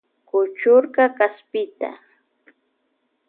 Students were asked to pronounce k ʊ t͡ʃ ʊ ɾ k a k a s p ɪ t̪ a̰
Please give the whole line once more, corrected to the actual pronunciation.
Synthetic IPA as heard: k ʊ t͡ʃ ʊ ɾ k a k a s p ɪ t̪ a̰